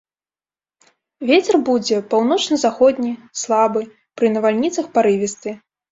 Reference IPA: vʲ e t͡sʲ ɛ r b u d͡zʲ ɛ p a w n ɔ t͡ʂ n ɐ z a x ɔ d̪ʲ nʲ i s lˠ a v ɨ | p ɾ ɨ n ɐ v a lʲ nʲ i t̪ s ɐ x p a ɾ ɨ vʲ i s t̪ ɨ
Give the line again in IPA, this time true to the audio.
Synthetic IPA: vʲ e t͡sʲ ɛ r b u d͡zʲ ɛ p a w n ɔ t͡ʂ n ɐ z a x ɔ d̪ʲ nʲ i s lˠ a b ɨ | p ɾ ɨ n ɐ v a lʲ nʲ i t̪ s ɐ x p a ɾ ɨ vʲ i s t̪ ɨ